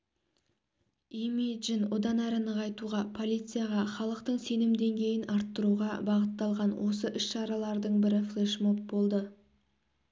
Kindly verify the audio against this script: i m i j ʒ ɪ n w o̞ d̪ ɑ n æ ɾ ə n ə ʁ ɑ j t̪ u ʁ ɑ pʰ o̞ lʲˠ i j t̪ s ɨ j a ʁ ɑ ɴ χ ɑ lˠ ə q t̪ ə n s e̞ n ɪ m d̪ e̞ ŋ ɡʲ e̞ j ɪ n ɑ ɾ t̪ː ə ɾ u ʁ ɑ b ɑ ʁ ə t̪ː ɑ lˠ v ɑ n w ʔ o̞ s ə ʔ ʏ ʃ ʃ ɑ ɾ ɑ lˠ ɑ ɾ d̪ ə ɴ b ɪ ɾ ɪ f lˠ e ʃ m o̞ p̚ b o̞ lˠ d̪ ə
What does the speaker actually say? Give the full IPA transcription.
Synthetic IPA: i m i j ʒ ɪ n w o̞ d̪ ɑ n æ ɾ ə n ə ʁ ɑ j t̪ u ʁ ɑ pʰ o̞ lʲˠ i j t̪ s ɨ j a ʁ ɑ χ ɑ lˠ ə q t̪ ə ɴ s e̞ n ɪ m d̪ e̞ ŋ ɡʲ e̞ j ɪ n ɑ ɾ t̪ː ə ɾ u ʁ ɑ b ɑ ʁ ə t̪ː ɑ lˠ ʁ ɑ n w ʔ o̞ s ə ʔ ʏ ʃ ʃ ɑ ɾ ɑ lˠ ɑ ɾ d̪ ə ɴ b ɪ ɾ ɪ f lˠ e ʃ m o̞ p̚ b o̞ lˠ d̪ ə